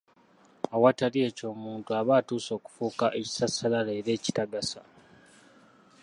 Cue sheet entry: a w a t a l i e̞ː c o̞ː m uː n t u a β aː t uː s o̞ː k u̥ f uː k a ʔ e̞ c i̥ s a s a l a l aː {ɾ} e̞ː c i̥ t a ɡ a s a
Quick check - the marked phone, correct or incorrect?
correct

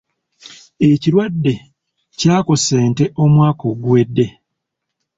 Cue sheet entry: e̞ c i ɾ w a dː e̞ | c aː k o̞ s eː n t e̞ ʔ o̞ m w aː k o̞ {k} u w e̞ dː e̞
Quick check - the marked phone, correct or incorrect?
incorrect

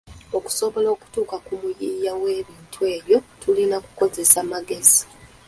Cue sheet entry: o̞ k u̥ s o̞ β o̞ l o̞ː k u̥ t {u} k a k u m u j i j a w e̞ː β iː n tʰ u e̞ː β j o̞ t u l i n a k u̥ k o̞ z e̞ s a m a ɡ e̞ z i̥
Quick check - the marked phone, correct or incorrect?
incorrect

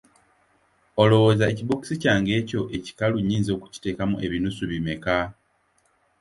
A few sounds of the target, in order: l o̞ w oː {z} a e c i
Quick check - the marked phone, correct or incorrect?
correct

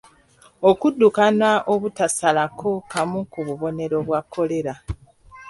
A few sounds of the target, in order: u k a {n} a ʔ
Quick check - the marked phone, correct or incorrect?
correct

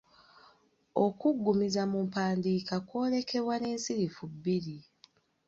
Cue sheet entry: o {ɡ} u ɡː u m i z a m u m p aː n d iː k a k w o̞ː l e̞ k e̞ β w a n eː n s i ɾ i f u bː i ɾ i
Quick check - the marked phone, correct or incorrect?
incorrect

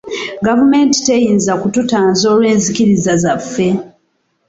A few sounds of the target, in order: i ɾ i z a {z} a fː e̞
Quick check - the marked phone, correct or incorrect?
correct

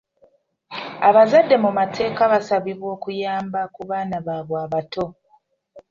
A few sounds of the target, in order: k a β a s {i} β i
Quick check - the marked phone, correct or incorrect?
incorrect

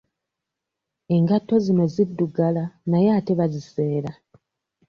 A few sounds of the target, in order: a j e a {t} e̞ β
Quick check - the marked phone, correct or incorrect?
correct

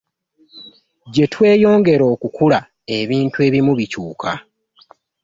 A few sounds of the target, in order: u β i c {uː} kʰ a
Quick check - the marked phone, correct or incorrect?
correct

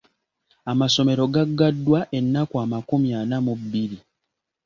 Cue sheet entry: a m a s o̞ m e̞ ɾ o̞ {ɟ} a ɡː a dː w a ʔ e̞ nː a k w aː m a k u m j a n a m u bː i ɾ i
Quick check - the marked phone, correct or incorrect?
incorrect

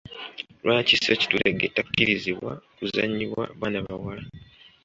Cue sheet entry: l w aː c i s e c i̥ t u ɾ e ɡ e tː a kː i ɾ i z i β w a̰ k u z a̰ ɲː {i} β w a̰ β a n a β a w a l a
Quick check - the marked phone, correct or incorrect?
correct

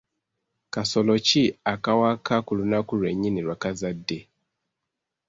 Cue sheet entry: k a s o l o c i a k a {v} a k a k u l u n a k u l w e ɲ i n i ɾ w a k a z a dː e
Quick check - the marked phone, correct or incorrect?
incorrect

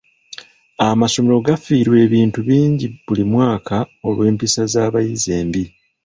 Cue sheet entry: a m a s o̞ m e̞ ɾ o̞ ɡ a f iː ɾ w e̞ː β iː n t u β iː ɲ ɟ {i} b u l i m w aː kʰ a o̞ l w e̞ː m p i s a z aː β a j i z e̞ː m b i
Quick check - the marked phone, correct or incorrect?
correct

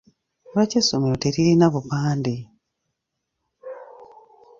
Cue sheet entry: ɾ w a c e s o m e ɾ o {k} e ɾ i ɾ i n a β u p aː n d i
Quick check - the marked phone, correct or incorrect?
incorrect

